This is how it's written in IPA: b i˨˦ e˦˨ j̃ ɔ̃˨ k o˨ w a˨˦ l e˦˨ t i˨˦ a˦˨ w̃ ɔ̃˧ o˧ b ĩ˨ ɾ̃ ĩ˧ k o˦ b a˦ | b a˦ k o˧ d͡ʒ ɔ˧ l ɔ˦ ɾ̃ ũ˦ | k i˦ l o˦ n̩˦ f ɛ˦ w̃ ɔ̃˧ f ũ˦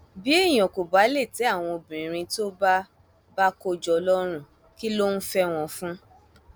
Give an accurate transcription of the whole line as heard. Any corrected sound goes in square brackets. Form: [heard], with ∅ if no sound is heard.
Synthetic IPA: b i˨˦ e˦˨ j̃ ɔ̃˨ k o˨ [b] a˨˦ l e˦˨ t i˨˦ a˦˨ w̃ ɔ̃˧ o˧ b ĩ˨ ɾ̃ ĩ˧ [t] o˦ b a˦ | b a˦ k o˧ d͡ʒ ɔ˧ l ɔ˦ ɾ̃ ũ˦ | k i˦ l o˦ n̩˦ f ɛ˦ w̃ ɔ̃˧ f ũ˦